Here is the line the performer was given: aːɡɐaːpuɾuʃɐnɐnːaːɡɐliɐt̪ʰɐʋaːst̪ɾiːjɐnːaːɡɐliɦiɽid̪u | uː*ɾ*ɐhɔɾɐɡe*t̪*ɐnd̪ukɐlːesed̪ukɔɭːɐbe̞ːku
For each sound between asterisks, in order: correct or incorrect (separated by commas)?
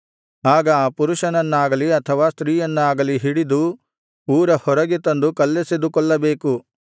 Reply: correct, correct